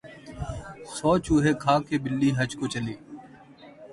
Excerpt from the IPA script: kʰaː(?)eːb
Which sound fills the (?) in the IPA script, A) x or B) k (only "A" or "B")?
B